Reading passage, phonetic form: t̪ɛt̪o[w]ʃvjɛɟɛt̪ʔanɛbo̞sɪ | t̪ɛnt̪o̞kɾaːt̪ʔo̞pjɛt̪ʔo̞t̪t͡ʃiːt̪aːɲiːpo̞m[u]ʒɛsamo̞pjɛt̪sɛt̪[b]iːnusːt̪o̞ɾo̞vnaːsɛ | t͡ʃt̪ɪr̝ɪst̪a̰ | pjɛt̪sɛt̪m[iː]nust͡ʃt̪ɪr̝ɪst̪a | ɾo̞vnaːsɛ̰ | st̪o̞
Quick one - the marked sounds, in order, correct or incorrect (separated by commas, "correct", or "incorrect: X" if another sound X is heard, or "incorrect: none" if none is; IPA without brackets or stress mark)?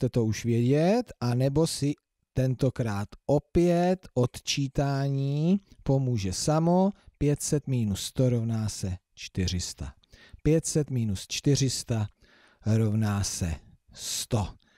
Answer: incorrect: u, incorrect: uː, incorrect: m, correct